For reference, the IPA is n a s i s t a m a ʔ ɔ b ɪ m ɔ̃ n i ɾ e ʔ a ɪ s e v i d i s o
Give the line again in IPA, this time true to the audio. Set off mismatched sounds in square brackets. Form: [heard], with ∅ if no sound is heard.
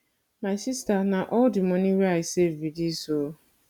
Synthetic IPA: [m] a s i s t a [n] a ʔ ɔ [d] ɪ m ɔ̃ n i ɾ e [∅] a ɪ s e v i d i s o